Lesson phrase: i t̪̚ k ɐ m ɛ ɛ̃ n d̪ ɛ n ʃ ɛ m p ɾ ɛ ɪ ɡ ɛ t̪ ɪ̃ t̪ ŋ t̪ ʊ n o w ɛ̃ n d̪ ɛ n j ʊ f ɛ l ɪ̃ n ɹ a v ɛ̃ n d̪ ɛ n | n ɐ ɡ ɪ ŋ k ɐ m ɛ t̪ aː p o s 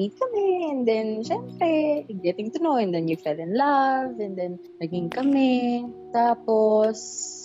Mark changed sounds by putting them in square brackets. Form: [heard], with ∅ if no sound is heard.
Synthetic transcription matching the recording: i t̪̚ k ɐ m ɛ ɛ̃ n d̪ ɛ n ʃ ɛ m p ɾ ɛ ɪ ɡ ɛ t̪ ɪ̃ [∅] ŋ t̪ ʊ n o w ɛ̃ n d̪ ɛ n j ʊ f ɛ l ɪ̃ n [l] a v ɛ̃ n d̪ ɛ n | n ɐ ɡ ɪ ŋ k ɐ m ɛ t̪ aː p o s